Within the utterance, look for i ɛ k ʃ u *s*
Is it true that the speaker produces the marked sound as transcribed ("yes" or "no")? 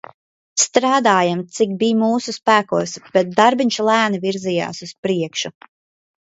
no